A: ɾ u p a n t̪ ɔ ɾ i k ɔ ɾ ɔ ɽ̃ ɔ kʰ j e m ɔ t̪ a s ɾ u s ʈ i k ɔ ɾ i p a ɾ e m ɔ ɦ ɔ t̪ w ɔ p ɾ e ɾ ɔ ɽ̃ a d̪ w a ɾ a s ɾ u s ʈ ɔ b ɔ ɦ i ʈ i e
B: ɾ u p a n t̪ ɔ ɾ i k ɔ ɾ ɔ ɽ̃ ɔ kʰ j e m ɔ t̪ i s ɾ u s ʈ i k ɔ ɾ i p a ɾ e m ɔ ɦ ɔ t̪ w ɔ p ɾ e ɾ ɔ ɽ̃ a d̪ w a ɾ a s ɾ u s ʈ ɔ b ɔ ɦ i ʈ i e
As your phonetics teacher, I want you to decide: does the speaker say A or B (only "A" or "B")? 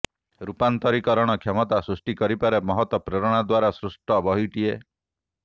A